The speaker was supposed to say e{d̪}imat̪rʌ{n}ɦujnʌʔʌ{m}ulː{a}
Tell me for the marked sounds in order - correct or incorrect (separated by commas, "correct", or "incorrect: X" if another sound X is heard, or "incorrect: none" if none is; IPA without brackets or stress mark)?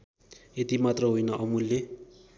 incorrect: t̪, incorrect: none, correct, incorrect: e